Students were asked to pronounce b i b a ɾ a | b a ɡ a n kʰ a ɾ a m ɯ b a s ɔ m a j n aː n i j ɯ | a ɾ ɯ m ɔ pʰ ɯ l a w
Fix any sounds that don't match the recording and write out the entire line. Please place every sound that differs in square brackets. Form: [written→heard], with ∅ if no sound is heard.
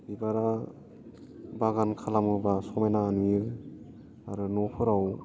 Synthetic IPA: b i b a ɾ a | b a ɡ a n kʰ a [ɾ→l] a m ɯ b a s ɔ m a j n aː n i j ɯ | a ɾ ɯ [m→n] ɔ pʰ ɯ [l→ɾ] a w